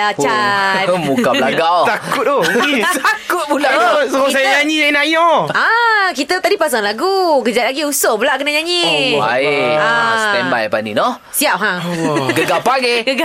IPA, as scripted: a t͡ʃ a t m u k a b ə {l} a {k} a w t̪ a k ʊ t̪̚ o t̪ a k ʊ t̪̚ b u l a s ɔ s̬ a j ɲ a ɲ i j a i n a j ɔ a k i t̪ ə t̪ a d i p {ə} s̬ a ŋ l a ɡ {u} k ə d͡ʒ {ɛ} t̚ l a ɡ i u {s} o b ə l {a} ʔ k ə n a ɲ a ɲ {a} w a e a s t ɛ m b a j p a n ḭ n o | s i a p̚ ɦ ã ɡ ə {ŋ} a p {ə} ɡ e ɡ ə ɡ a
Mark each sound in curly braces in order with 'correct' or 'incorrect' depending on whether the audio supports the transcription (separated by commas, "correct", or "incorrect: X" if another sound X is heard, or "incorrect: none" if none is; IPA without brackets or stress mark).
correct, incorrect: ɡ, incorrect: a, correct, incorrect: a, correct, correct, incorrect: i, incorrect: ɡ, incorrect: a